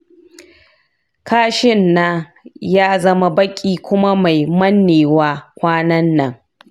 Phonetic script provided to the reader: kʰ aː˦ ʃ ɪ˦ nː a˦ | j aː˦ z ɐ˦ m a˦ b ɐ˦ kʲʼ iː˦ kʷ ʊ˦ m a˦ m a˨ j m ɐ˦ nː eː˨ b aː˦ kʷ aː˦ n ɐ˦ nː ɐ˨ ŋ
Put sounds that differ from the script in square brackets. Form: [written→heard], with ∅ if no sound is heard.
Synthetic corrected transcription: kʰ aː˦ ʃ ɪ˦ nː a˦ | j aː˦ z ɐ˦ m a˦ b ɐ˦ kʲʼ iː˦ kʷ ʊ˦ m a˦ m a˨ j m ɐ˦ nː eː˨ [b→w] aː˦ kʷ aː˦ n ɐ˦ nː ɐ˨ ŋ